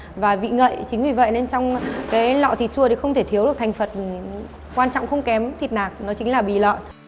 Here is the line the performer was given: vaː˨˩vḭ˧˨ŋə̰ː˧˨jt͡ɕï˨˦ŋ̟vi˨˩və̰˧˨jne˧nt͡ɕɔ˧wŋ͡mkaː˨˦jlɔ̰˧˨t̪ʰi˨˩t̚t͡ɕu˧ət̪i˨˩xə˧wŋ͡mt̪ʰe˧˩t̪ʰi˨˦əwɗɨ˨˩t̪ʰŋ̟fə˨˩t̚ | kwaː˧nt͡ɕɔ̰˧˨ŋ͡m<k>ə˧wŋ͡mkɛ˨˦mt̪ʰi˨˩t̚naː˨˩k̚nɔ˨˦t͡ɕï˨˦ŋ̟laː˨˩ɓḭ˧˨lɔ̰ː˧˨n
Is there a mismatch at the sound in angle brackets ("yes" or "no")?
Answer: yes